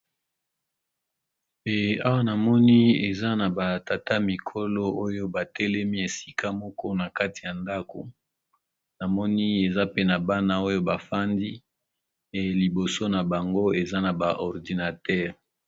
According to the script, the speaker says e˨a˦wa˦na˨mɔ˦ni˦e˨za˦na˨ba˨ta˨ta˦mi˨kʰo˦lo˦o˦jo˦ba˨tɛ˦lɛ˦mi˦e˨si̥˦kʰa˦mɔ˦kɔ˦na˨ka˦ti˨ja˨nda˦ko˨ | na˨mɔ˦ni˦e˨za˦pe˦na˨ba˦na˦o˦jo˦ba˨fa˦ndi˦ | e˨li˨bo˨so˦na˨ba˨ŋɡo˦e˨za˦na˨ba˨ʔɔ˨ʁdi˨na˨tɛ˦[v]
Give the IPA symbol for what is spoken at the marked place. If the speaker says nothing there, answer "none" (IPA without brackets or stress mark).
ʁ